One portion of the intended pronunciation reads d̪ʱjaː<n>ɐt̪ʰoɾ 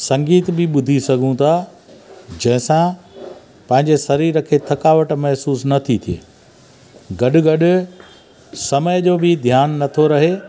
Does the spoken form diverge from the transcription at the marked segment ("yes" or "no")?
yes